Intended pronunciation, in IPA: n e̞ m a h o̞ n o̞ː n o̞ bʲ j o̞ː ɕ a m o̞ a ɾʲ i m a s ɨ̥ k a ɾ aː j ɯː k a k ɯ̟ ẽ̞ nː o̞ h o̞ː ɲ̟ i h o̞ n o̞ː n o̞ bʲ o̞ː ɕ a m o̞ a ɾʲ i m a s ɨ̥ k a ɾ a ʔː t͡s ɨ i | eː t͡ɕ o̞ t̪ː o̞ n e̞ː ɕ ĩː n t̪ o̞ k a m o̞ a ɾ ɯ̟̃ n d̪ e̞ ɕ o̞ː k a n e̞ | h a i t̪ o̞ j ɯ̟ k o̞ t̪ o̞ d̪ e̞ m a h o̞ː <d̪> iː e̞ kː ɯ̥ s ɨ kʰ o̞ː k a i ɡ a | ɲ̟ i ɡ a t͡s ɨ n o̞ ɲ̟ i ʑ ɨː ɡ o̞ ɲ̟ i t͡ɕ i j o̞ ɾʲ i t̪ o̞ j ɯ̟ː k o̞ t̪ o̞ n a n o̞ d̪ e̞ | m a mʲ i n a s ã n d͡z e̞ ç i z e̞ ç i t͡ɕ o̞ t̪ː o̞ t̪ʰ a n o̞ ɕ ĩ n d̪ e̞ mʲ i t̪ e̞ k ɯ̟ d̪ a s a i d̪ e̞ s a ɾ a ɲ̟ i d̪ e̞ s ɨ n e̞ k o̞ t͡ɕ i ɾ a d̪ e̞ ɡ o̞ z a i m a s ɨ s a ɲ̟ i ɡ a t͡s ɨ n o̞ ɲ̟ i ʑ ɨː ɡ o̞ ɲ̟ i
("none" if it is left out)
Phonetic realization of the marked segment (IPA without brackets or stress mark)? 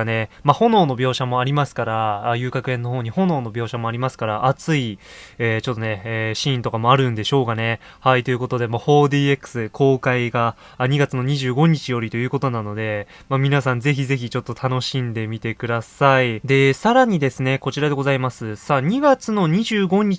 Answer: d̪